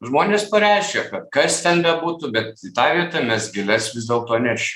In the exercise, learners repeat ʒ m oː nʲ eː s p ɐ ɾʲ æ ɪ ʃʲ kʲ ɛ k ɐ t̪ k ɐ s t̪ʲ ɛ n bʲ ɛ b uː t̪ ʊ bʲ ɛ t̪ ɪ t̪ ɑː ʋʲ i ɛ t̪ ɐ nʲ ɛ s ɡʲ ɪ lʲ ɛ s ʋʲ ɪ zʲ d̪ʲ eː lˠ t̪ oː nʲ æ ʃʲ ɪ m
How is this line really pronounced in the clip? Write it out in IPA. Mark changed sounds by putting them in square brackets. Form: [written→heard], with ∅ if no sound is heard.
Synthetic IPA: ʒ m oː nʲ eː s p ɐ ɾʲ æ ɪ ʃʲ kʲ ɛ k ɐ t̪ k ɐ s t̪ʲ ɛ n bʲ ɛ b uː t̪ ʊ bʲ ɛ t̪ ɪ t̪ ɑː ʋʲ i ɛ t̪ ɐ [nʲ→mʲ] ɛ s ɡʲ ɪ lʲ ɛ s ʋʲ ɪ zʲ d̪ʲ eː lˠ t̪ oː nʲ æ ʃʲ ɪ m